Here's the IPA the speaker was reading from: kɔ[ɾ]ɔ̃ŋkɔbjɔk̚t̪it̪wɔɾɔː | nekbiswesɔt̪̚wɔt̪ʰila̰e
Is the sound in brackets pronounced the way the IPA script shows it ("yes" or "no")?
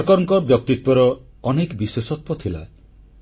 yes